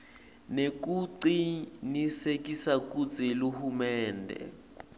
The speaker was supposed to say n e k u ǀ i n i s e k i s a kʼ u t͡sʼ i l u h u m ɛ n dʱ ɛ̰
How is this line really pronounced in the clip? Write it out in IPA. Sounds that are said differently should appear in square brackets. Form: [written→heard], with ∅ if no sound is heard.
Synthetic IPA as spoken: n e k u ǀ i n i s e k i s a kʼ u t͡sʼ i l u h u m [ɛ→ɛː] n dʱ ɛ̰